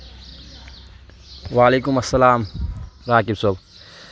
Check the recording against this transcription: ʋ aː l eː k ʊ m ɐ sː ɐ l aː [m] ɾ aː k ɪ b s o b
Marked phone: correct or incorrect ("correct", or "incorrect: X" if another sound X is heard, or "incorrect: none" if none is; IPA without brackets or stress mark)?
correct